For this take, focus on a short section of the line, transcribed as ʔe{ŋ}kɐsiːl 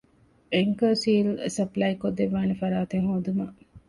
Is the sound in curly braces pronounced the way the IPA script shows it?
yes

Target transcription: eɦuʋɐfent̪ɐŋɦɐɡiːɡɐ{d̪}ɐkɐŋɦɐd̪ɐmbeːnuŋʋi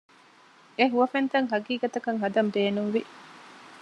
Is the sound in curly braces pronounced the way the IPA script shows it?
no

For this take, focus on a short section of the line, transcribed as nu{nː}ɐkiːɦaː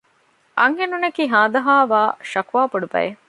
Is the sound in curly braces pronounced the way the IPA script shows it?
no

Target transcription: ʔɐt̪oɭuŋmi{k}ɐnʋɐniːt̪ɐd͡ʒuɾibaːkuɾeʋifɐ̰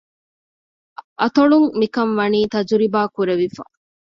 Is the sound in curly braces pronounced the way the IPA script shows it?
yes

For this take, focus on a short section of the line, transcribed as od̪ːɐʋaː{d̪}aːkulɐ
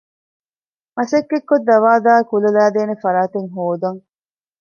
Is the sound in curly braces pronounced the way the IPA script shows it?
yes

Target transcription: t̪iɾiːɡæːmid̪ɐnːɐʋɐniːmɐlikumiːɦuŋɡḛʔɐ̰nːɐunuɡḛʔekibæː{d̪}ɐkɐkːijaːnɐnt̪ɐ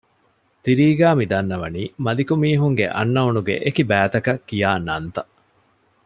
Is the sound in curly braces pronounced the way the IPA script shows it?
no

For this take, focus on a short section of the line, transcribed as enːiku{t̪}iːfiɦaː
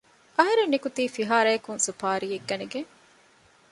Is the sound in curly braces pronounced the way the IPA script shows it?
yes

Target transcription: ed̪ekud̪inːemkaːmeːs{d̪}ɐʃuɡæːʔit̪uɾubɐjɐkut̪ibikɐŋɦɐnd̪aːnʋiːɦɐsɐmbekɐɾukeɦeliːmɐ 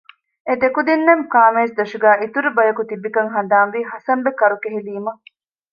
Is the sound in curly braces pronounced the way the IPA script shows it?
yes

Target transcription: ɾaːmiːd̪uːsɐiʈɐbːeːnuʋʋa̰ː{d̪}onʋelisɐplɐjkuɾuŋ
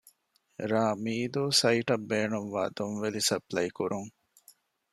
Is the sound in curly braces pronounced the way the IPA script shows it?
yes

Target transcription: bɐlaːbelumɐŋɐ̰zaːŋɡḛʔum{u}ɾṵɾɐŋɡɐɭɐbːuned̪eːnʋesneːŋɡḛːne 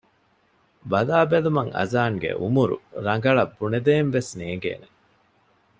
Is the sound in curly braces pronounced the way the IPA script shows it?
yes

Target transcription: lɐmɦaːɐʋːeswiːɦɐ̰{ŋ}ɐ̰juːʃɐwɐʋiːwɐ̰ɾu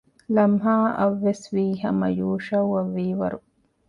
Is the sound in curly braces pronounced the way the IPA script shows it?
no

